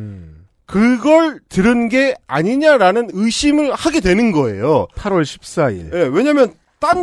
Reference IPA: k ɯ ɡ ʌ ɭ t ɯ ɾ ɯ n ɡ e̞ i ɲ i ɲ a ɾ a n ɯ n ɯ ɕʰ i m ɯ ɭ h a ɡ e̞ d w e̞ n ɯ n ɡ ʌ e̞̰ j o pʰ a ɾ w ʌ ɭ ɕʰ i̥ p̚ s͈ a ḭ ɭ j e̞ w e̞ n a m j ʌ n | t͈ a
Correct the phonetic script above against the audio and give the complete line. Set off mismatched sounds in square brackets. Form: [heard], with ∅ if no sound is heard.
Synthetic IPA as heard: k ɯ ɡ ʌ ɭ t ɯ ɾ ɯ n ɡ e̞ [a] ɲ i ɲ a ɾ a n ɯ n ɯ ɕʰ i m ɯ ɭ h a ɡ e̞ d w e̞ n ɯ n ɡ ʌ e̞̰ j o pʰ a ɾ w ʌ ɭ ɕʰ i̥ p̚ s͈ a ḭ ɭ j e̞ w e̞ [ɲ] a m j ʌ n | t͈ a